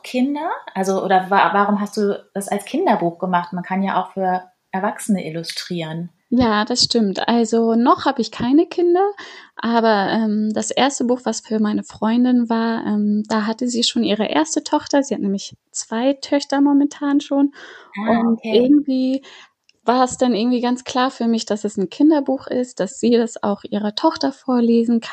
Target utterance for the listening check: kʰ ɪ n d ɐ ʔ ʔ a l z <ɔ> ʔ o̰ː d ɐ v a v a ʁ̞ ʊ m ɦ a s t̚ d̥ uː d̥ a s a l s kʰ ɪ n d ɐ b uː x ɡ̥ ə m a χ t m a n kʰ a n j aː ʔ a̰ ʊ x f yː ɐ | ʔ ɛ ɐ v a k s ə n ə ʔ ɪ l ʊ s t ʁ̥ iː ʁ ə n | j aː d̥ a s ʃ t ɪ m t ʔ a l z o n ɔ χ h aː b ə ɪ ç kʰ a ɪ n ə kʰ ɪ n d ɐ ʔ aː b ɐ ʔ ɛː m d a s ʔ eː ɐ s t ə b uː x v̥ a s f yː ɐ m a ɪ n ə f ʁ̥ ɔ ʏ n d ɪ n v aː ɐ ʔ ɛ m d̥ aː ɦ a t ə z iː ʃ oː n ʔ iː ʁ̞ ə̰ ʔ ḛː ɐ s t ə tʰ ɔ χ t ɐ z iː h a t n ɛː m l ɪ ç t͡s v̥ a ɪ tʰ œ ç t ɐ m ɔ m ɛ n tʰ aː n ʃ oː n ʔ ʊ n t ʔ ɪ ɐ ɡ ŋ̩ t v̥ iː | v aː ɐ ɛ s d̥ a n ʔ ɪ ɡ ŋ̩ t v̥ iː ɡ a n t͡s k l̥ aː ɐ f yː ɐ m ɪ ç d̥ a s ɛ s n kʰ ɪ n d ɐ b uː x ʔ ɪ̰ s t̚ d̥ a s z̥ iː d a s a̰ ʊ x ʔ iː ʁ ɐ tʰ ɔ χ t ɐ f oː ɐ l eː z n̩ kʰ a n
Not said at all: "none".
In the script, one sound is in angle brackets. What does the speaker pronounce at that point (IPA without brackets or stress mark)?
o